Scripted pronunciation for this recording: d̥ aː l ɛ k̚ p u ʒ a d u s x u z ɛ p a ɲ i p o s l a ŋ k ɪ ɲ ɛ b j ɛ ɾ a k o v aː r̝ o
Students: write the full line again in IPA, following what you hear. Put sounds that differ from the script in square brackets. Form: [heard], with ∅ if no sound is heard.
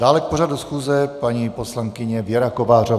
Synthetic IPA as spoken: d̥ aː l ɛ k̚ p [o] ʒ a d u s x [uː] z ɛ p a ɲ i p o s l a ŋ k ɪ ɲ ɛ [v] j ɛ ɾ a k o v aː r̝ o